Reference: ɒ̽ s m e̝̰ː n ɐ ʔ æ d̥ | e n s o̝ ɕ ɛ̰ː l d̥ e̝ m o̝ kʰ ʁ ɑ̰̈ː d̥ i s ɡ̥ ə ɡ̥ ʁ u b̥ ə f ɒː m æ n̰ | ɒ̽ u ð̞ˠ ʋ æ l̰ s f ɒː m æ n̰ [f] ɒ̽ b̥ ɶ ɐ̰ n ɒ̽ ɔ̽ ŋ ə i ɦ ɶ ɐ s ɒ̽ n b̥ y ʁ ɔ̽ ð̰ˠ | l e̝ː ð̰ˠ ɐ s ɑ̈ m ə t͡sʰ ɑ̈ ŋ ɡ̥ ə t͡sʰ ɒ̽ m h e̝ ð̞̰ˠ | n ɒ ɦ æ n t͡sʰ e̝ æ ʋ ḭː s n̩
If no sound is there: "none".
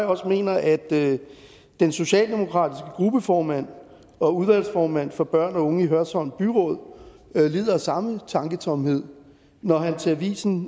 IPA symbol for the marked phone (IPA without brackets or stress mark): f